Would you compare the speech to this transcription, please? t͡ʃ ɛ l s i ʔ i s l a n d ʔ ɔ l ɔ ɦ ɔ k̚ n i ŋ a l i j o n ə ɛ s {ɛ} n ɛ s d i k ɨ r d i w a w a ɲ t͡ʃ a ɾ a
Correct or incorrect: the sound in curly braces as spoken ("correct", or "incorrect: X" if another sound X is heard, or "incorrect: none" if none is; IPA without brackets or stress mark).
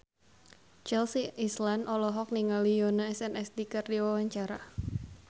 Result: correct